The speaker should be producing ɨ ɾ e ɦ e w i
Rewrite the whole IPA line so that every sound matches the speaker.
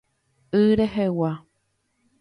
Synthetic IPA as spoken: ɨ ɾ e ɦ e w a